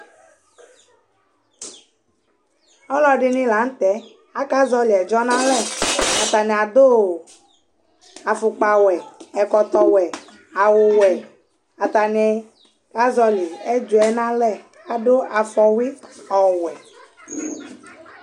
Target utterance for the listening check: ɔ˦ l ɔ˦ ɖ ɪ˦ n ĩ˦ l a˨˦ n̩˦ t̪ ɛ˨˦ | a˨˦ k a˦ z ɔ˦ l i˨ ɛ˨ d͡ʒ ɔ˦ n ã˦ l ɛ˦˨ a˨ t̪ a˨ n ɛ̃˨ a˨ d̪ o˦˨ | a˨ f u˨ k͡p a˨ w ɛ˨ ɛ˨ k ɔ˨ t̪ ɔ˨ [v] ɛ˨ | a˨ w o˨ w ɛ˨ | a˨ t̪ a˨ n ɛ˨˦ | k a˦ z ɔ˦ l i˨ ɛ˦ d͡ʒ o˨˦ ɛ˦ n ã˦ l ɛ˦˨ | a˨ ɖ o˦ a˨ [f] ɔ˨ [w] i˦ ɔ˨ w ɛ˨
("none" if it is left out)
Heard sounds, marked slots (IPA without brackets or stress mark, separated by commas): w, f, w